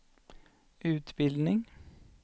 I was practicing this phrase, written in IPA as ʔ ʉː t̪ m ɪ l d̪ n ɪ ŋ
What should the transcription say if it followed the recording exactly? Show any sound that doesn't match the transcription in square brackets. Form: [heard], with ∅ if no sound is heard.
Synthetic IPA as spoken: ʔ ʉː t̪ [b] ɪ l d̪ n ɪ ŋ